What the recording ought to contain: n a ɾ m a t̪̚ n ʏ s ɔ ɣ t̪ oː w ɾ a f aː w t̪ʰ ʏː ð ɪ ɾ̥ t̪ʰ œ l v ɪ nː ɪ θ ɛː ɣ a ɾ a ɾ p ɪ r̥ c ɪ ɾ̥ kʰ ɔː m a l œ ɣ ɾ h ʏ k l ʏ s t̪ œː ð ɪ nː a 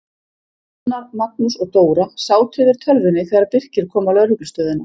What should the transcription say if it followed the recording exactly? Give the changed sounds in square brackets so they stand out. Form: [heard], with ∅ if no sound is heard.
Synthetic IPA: n a ɾ m a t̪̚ n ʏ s ɔ ɣ t̪ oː w ɾ a [s] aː w t̪ʰ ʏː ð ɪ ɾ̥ t̪ʰ œ l v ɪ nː ɪ θ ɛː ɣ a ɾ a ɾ p ɪ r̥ c ɪ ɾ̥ kʰ ɔː m a l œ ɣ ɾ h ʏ k l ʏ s t̪ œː ð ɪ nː a